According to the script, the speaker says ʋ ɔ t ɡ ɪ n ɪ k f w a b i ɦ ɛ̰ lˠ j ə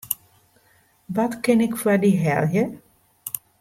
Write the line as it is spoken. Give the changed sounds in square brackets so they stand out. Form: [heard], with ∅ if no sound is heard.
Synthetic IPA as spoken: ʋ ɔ t [k] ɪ n ɪ k f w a [d] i ɦ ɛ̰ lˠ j ə